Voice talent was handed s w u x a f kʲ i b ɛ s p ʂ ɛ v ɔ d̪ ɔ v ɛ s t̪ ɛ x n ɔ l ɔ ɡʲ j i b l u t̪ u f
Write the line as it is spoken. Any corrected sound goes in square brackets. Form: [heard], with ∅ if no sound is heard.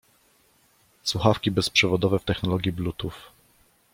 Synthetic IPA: s w u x a f kʲ i b ɛ s p ʂ ɛ v ɔ d̪ ɔ v ɛ [f] t̪ ɛ x n ɔ l ɔ ɡʲ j i b l u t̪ u f